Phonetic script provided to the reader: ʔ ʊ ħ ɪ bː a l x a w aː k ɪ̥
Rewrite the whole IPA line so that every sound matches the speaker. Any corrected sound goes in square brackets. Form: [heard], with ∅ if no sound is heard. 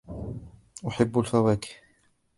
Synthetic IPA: ʔ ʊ ħ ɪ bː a l [f] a w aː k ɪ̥